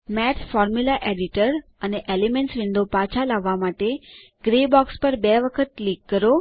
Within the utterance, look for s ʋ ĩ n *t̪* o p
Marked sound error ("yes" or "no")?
yes